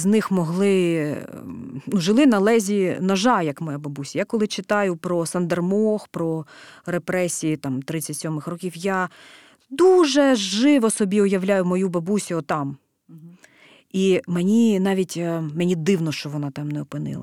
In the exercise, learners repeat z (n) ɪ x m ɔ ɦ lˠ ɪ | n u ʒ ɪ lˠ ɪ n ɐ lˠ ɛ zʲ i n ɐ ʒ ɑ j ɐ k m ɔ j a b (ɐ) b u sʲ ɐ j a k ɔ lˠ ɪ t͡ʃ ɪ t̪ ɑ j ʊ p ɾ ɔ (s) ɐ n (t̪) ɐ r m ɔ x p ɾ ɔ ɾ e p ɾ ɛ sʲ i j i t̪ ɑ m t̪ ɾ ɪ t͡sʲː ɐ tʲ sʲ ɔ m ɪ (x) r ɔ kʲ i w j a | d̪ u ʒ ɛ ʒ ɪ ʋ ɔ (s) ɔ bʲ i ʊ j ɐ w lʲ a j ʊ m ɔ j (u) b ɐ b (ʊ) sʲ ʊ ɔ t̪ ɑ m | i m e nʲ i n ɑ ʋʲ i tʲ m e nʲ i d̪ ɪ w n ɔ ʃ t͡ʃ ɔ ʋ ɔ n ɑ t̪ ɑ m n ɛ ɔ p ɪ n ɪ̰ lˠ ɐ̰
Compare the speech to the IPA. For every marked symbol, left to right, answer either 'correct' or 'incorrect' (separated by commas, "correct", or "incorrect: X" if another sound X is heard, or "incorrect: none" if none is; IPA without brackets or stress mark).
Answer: correct, correct, correct, incorrect: d̪, correct, correct, correct, incorrect: u